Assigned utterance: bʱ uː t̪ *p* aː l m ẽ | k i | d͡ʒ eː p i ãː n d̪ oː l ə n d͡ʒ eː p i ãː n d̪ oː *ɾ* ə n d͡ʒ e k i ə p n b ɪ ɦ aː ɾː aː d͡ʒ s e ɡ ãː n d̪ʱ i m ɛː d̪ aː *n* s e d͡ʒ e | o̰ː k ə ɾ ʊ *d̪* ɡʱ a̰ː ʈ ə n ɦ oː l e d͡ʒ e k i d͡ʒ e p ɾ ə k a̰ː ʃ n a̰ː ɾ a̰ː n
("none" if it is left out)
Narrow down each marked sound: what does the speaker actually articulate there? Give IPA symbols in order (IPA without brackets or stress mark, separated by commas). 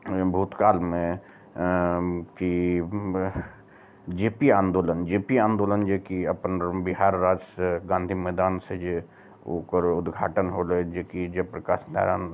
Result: k, l, n, d̪